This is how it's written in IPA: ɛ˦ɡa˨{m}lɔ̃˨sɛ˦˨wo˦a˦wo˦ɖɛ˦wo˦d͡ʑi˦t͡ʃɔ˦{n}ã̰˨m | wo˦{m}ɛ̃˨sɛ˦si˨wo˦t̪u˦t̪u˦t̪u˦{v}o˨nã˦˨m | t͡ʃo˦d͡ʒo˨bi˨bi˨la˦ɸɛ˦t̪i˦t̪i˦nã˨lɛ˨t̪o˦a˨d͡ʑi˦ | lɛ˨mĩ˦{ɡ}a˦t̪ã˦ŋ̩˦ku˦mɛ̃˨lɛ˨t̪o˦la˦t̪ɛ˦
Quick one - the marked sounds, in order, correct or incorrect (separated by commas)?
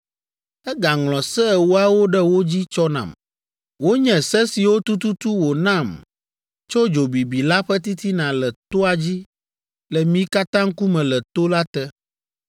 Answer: incorrect, correct, incorrect, incorrect, incorrect